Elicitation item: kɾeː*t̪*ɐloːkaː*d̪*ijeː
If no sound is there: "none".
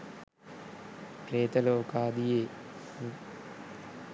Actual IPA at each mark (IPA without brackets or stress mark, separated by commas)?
t̪, d̪